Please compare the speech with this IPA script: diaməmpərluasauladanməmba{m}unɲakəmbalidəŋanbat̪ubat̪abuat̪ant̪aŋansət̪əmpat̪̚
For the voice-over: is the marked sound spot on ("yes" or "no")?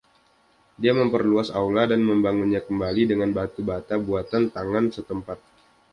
no